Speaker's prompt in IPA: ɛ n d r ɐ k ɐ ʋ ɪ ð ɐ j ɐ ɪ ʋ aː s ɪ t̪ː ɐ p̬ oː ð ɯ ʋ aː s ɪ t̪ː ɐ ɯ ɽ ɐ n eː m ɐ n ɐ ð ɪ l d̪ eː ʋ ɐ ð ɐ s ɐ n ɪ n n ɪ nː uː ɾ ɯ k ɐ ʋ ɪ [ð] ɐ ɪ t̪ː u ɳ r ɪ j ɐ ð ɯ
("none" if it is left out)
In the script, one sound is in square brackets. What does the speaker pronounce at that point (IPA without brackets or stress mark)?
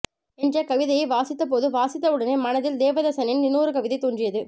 ð